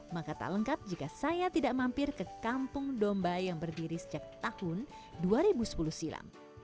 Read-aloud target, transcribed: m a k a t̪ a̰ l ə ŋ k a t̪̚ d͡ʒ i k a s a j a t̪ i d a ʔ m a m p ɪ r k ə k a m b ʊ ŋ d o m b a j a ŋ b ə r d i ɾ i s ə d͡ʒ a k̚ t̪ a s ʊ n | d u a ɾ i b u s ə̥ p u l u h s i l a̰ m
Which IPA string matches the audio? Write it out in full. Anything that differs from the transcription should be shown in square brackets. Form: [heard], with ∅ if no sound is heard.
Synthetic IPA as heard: m a k a t̪ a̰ l ə ŋ k a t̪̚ d͡ʒ i k a s a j a t̪ i d a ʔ m a m p ɪ r k ə k a m [p] ʊ ŋ d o m b a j a ŋ b ə r d i ɾ i s ə d͡ʒ a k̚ t̪ a [h] ʊ n | d u a ɾ i b u s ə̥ p u l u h s i l a̰ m